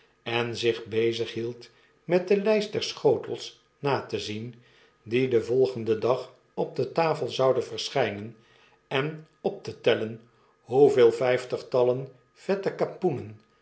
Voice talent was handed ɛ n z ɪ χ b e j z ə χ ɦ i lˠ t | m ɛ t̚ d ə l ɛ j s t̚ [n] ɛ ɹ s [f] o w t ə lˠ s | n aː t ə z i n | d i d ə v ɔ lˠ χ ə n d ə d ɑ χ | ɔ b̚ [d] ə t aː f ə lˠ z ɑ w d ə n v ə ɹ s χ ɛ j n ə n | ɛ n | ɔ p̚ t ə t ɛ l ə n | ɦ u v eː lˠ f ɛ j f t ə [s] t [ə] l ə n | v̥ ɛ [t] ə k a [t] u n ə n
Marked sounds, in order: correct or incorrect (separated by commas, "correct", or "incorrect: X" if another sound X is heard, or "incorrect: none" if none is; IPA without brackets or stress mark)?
incorrect: d, incorrect: χ, correct, incorrect: χ, incorrect: ɑ, correct, incorrect: p